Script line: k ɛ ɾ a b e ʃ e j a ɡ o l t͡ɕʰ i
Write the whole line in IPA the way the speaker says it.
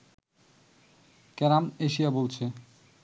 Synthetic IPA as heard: k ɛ ɾ a m e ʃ i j a b o l t͡ɕʰ e